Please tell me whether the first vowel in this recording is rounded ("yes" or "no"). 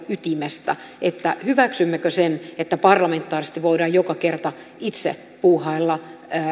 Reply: yes